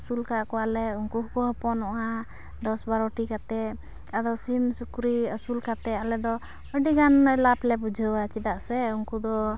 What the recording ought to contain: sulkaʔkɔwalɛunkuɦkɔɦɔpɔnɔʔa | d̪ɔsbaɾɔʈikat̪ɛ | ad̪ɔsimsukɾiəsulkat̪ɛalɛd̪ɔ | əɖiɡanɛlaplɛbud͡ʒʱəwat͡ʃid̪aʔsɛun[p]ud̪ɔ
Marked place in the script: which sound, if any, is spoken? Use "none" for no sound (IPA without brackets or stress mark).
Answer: k